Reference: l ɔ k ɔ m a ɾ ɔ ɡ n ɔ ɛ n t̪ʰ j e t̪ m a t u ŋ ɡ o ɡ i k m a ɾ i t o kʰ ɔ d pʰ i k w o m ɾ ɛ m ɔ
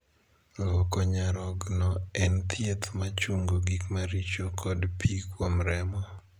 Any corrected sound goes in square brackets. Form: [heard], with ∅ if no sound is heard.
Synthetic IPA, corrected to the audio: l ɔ k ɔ [ɲ] a ɾ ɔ ɡ n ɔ ɛ n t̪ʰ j e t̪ m a [t͡ʃ] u ŋ ɡ o ɡ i k m a ɾ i [t͡ʃ] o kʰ ɔ d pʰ i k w o m ɾ ɛ m ɔ